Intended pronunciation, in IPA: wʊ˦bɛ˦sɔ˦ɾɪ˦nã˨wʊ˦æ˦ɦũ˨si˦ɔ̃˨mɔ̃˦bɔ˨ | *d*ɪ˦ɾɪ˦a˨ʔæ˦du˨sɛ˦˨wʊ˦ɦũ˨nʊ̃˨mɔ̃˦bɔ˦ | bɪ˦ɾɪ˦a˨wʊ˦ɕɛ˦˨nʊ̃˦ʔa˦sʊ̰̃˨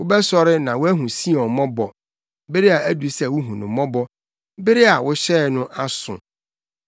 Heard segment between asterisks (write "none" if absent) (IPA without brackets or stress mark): b